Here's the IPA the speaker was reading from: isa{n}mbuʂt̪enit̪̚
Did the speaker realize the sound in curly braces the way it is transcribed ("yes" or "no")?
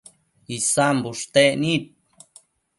no